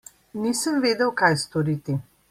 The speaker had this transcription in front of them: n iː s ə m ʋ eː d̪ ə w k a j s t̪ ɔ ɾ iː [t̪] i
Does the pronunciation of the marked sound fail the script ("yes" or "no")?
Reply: no